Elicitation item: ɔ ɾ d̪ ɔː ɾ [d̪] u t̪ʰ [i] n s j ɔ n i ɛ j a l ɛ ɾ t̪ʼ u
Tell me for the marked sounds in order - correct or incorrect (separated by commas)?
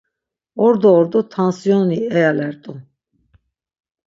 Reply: correct, incorrect